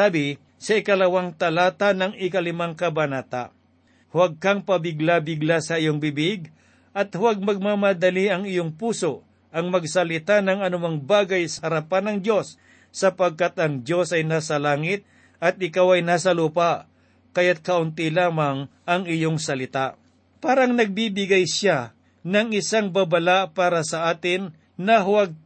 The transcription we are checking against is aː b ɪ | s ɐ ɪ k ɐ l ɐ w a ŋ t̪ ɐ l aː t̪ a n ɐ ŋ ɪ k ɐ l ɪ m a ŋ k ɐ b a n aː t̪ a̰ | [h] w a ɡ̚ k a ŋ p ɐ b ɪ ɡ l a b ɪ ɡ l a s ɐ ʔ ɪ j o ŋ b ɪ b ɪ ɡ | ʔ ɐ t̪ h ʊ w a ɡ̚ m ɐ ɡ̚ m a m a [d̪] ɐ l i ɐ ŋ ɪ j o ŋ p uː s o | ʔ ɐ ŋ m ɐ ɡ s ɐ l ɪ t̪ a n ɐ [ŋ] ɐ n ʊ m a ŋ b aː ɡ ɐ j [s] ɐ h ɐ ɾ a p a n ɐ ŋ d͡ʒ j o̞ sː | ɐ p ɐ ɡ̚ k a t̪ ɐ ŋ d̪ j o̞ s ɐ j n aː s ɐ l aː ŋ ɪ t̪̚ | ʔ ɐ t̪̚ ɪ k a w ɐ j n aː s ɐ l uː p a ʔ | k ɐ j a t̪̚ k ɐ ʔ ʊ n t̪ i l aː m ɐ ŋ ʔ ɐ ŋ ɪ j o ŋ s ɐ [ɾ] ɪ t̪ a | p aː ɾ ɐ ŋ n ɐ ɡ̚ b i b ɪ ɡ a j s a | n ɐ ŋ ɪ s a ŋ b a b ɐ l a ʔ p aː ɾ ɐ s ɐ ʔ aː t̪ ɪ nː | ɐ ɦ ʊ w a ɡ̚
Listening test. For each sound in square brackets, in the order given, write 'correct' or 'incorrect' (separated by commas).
correct, correct, correct, correct, incorrect